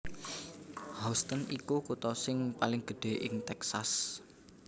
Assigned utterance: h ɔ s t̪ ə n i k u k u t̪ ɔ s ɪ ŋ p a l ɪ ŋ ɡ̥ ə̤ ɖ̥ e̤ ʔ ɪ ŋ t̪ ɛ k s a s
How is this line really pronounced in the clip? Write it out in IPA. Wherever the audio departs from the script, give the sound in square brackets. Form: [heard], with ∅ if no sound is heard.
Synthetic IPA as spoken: h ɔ s t̪ ə n i k u k u t̪ ɔ s ɪ ŋ p a l ɪ ŋ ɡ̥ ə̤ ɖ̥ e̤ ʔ ɪ ŋ t̪ ɛ k s a s